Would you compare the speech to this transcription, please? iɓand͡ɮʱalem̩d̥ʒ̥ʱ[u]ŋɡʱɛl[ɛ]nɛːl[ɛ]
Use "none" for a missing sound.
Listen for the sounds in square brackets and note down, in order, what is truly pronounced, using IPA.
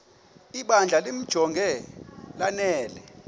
ɔ, a, ɛ

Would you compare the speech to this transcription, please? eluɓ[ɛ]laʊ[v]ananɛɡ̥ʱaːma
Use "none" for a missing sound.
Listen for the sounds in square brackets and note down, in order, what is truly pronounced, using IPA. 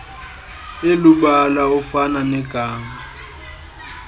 a, f

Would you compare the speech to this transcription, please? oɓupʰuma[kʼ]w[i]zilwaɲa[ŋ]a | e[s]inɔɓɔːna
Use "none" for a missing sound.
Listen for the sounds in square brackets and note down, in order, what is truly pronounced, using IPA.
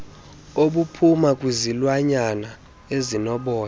kʼ, i, n, z

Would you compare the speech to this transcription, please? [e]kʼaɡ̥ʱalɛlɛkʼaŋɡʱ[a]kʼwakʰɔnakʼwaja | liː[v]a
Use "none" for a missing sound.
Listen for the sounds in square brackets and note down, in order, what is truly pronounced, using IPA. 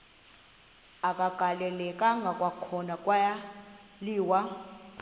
a, a, w

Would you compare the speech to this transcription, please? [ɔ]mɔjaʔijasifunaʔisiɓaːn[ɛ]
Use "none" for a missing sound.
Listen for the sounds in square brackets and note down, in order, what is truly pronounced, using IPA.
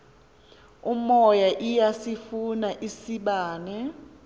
u, ɛ

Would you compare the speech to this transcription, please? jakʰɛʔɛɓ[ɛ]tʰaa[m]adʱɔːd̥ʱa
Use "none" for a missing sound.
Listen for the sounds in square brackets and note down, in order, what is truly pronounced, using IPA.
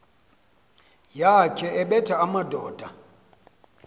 ɛ, m

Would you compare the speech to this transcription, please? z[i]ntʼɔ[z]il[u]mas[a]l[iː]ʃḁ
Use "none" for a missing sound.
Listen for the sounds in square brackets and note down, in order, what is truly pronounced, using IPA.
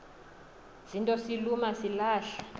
i, s, u, i, aː

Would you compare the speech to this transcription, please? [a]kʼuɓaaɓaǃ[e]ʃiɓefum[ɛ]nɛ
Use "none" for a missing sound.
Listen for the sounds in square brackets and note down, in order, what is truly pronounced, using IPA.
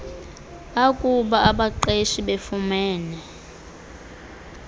a, e, ɛː

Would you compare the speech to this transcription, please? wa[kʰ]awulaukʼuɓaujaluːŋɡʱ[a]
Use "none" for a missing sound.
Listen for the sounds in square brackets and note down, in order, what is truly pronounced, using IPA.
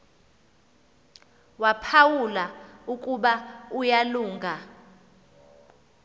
pʰ, a

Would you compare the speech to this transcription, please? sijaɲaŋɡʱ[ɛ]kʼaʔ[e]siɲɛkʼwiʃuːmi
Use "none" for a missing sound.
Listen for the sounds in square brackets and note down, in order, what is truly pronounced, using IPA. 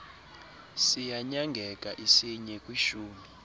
ɛ, i

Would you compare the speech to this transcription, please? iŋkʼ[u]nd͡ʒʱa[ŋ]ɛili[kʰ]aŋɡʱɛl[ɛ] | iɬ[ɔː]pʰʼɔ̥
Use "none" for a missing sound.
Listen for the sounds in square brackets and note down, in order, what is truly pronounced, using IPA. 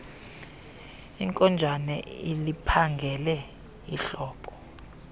ɔ, n, pʰ, ɛ, ɔː

